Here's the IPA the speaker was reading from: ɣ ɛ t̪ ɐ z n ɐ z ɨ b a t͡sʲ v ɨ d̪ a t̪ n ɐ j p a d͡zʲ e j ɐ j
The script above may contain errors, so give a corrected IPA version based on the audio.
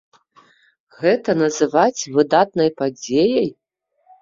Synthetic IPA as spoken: ɣ ɛ t̪ ɐ n ɐ z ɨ v a t͡sʲ v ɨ d̪ a t̪ n ɐ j p a d͡zʲ e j ɐ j